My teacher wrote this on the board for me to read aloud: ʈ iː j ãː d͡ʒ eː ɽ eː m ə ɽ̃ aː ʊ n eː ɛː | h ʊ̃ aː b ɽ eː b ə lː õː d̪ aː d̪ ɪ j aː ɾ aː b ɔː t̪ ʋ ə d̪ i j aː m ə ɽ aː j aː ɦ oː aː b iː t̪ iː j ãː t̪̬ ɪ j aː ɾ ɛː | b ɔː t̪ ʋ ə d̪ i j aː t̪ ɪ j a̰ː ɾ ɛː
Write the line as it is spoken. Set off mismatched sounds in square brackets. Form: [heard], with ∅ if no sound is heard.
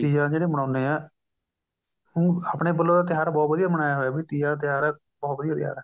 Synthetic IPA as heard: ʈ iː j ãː d͡ʒ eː ɽ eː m ə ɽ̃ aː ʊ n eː ɛː | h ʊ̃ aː [p] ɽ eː b ə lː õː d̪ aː [t̪] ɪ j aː ɾ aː b ɔː t̪ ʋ ə d̪ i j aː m ə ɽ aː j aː ɦ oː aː b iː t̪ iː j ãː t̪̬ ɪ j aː ɾ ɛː | b ɔː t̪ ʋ ə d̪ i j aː t̪ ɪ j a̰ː ɾ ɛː